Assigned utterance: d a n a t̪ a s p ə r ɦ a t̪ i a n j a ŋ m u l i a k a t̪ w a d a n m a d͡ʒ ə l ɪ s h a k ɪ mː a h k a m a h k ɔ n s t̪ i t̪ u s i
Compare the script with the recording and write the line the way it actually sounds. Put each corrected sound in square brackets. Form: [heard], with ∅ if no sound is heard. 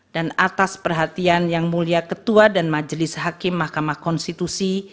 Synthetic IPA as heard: d a n a t̪ a s p ə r ɦ a t̪ i a n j a ŋ m u l i a k [ə] t̪ [u] a d a n m a d͡ʒ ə l ɪ s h a k ɪ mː a h k a m a h k ɔ n s t̪ i t̪ u s i